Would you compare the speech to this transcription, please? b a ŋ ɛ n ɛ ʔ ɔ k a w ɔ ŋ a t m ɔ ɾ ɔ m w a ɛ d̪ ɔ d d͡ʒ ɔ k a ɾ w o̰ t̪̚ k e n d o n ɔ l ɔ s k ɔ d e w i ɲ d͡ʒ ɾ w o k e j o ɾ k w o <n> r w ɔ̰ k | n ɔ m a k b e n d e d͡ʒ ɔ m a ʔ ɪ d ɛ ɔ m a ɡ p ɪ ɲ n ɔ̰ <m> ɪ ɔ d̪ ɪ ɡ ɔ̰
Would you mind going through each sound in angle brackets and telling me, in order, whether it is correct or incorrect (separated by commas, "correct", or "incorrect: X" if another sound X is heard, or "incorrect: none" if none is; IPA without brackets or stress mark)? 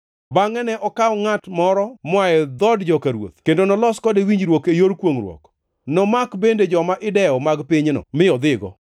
incorrect: ŋ, correct